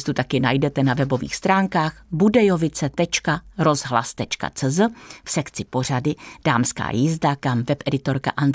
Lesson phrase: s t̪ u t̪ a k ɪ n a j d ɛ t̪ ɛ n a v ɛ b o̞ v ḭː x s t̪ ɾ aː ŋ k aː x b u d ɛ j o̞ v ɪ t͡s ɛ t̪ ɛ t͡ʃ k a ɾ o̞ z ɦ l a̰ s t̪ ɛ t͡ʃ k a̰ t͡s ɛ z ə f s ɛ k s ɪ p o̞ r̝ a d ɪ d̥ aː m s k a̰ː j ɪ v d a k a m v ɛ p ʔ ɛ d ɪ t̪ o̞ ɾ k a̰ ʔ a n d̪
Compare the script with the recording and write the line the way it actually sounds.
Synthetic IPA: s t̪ u t̪ a k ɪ n a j d ɛ t̪ ɛ n a v ɛ b o̞ v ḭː x s t̪ ɾ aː ŋ k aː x b u d ɛ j o̞ v ɪ t͡s ɛ t̪ ɛ t͡ʃ k a ɾ o̞ z ɦ l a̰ s t̪ ɛ t͡ʃ k a̰ t͡s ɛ z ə f s ɛ k t͡s ɪ p o̞ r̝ a d ɪ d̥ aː m s k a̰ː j ɪ z d a k a m v ɛ p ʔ ɛ d ɪ t̪ o̞ ɾ k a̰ ʔ a n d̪